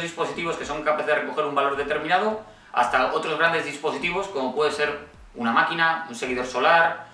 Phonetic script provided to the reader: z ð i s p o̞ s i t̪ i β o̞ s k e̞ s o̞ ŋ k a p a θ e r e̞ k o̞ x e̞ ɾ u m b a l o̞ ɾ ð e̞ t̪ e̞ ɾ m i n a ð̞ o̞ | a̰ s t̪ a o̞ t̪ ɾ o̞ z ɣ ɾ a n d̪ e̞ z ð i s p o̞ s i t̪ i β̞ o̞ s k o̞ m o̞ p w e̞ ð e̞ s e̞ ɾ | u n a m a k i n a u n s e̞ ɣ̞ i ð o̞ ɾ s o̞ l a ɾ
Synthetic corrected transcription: z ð i s p o̞ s i t̪ i β o̞ s k e̞ s o̞ ŋ k a p a θ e r e̞ k o̞ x e̞ ɾ u m b a l o̞ ɾ ð e̞ t̪ e̞ ɾ m i n a ð̞ o̞ | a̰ s t̪ a o̞ t̪ ɾ o̞ z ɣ ɾ a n d̪ e̞ z ð i s p o̞ s i t̪ i β̞ o̞ s k o̞ m o̞ p w e̞ ð e̞ s e̞ ɾ | u n a m a k i n a u n s e̞ ɣ̞ i ð o̞ ɾ s o̞ l a ɾ